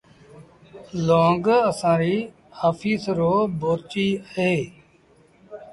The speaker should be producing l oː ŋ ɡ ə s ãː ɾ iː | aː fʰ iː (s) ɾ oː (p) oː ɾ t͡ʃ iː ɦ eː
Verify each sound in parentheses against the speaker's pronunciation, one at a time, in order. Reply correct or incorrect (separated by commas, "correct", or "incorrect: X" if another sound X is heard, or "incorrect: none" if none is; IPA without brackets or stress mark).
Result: correct, incorrect: b